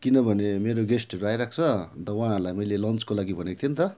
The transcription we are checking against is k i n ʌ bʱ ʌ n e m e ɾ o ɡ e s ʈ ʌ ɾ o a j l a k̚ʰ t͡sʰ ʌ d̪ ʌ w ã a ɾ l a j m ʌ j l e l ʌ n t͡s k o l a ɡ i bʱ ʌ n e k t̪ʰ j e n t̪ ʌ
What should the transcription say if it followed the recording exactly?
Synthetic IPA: k i n ʌ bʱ ʌ n e m e ɾ o ɡ e s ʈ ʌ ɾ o a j ɾ a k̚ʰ t͡sʰ ʌ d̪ ʌ w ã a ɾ l a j m ʌ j l e l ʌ n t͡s k o l a ɡ i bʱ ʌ n e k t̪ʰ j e n t̪ ʌ